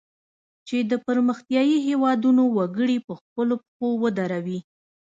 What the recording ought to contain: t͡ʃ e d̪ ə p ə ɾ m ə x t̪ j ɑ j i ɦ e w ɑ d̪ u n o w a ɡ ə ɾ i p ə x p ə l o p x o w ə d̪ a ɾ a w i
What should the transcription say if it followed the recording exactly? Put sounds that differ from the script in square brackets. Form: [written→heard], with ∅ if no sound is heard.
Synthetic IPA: t͡ʃ e d̪ ə p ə ɾ m ə x t̪ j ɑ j i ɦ e w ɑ d̪ u n o w a ɡ ə [ɾ→ɽ] i p ə x p ə l o p x o w ə d̪ a ɾ a w i